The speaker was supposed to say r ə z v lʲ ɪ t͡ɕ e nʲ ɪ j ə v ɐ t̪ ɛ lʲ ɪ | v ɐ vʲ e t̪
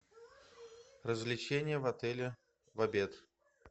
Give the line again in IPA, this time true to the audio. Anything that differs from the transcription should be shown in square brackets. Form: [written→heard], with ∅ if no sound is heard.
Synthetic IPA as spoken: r ə z v lʲ ɪ t͡ɕ e nʲ ɪ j ə v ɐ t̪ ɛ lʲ ɪ | v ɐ [vʲ→bʲ] e t̪